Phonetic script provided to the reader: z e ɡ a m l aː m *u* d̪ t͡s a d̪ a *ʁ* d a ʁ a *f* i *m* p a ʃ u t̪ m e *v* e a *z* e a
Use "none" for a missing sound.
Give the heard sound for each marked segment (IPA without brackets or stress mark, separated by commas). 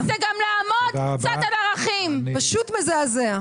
o, none, χ, m, z, z